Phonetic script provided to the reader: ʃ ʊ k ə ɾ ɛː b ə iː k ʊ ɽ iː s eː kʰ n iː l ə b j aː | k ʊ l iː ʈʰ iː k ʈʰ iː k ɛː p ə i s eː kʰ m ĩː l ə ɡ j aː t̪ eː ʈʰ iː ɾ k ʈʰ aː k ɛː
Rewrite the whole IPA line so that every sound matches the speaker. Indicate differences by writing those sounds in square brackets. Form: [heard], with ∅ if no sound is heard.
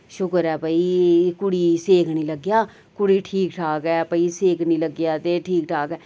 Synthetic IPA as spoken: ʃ ʊ k ə ɾ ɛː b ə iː k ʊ ɽ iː s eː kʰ n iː l ə [ɡ] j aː | k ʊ [ɽ] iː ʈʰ iː k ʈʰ [aː] k ɛː p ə i s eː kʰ [n] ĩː l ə ɡ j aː t̪ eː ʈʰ iː [∅] k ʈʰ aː k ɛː